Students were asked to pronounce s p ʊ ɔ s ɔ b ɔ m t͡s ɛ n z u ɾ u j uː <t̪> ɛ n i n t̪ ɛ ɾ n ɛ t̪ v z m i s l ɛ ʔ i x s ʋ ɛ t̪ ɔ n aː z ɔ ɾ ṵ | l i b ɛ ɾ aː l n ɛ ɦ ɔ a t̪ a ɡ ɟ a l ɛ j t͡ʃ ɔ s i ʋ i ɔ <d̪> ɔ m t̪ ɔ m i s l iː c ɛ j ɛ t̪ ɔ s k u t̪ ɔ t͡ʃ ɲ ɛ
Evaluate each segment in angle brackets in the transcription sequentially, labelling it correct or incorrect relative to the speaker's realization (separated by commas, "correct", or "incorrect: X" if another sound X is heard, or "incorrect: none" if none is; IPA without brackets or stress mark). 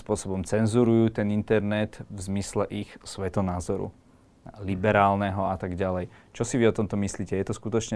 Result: correct, incorrect: t̪